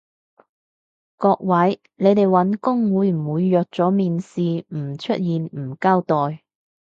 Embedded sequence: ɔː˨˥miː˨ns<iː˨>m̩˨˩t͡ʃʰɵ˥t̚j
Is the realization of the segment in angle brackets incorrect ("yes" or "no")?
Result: no